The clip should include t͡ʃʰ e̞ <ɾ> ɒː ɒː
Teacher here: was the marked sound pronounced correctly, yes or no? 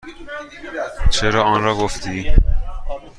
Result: yes